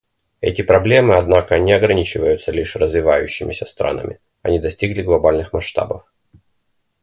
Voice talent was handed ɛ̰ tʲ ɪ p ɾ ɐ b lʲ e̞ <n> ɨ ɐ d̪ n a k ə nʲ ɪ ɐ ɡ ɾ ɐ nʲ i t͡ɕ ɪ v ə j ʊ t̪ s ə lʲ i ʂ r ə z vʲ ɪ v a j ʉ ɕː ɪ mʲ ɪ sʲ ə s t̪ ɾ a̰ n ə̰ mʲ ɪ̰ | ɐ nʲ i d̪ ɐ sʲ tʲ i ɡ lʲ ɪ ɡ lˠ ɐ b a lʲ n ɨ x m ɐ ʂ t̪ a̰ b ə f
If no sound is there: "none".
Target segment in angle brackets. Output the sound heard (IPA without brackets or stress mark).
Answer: m